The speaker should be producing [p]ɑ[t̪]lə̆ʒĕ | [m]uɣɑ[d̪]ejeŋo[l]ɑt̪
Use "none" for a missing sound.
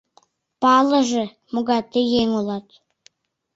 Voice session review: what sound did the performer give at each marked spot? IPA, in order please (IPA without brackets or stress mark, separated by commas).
p, none, m, t̪, l